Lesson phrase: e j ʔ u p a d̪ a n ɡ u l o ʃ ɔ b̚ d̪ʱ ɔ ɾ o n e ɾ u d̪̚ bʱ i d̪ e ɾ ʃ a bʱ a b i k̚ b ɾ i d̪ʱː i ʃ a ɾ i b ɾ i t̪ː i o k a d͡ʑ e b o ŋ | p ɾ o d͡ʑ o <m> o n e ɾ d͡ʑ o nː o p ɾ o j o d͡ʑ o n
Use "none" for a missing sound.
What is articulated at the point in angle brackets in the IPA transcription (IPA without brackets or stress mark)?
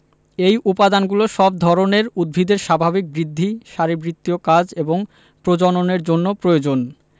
n